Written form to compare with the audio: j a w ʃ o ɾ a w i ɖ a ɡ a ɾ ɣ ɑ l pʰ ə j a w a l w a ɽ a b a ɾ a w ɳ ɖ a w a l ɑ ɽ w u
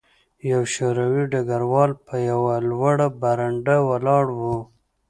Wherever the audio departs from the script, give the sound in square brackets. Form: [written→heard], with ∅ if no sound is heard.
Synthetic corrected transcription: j a w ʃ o ɾ a w i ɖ a ɡ a ɾ [ɣ→w] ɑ l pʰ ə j a w a l w a ɽ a b a ɾ a [w→∅] ɳ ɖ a w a l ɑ ɽ w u